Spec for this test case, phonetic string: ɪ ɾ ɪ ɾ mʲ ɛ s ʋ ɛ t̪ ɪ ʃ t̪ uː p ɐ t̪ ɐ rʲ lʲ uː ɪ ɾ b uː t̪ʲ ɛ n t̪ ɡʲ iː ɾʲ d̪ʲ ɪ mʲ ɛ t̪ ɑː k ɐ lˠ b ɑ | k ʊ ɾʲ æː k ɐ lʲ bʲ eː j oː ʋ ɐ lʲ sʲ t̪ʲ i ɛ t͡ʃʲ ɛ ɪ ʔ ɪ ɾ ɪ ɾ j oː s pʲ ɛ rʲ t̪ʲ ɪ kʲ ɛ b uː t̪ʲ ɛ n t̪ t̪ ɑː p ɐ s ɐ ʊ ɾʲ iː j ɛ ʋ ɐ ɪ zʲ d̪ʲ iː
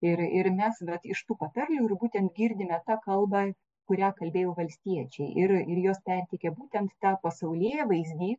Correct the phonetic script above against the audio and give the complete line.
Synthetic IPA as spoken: ɪ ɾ ɪ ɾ mʲ ɛ s ʋ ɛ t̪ ɪ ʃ t̪ uː p ɐ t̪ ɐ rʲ lʲ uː ɪ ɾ b uː t̪ʲ ɛ n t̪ ɡʲ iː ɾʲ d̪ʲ ɪ mʲ ɛ t̪ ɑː k ɐ lˠ b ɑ | k ʊ ɾʲ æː k ɐ lʲ bʲ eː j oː ʋ ɐ lʲ sʲ t̪ʲ i ɛ t͡ʃʲ ɛ ɪ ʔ ɪ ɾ ɪ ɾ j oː s pʲ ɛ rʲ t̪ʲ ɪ kʲ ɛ b uː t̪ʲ ɛ n t̪ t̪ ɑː p ɐ s ɐ ʊ lʲ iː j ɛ ʋ ɐ ɪ zʲ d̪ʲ iː